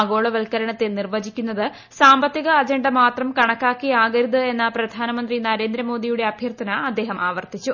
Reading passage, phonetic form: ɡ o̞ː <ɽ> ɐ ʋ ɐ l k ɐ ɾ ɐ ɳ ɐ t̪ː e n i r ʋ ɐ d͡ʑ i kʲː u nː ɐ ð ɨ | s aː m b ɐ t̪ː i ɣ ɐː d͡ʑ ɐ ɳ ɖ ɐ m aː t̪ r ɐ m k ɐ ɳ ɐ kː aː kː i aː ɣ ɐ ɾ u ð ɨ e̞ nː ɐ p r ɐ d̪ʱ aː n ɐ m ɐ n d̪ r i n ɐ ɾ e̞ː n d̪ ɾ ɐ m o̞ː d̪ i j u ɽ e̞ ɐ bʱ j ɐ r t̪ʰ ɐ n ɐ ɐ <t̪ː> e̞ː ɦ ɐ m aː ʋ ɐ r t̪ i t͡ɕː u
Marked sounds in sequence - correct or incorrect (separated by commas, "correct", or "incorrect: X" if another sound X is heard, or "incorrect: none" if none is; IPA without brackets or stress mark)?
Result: incorrect: ɭ, incorrect: d̪ː